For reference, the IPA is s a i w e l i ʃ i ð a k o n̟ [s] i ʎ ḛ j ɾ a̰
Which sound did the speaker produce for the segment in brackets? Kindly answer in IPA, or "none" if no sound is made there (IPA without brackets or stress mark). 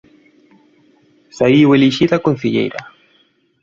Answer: θ